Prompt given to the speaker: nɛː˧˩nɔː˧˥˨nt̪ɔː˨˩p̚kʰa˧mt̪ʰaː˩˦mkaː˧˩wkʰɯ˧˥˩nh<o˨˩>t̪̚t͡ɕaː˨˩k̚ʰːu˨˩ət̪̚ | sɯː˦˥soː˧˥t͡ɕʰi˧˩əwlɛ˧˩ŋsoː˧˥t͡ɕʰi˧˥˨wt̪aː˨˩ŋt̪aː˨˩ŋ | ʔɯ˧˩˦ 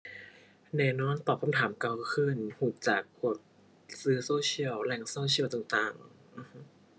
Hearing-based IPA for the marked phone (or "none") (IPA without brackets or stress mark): u˨˩